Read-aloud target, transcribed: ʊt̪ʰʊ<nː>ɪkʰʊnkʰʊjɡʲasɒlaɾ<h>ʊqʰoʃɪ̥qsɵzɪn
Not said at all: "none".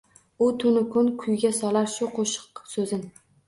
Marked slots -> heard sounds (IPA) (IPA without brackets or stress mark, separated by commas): n, ʃ